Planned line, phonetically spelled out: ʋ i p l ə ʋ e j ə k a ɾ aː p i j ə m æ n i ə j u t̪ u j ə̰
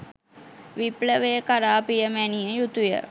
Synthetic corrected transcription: ʋ i p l ə ʋ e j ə k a ɾ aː p i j ə m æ n i ə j u t̪ u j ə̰